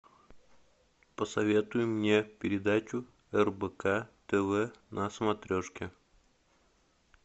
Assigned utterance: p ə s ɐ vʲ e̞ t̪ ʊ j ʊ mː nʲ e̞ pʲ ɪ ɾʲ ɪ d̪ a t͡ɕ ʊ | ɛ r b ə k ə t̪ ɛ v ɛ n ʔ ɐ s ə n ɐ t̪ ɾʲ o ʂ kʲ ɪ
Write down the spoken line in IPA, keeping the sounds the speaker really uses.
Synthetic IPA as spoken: p ə s ɐ vʲ e̞ t̪ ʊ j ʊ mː nʲ e̞ pʲ ɪ ɾʲ ɪ d̪ a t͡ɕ ʊ | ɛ r b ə k a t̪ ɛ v ɛ n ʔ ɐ s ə m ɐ t̪ ɾʲ o ʂ kʲ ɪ